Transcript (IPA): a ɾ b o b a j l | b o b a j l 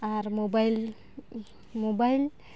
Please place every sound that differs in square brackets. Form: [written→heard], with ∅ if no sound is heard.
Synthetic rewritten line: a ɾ [b→m] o b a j l | [b→m] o b a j l